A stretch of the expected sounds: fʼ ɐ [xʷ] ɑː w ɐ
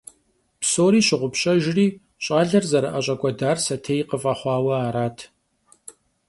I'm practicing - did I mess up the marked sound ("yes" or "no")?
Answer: yes